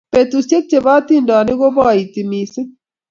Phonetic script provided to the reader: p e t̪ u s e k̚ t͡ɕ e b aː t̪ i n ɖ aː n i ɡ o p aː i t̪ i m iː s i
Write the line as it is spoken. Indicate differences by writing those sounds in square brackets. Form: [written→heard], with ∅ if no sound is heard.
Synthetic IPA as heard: p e t̪ u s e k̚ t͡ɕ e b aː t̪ i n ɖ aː n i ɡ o [p→b] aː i t̪ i m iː s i